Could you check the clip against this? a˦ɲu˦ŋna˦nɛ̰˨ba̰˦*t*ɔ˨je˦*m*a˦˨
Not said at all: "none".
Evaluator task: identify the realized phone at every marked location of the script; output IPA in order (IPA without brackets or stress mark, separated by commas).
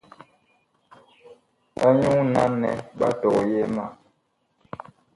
t, m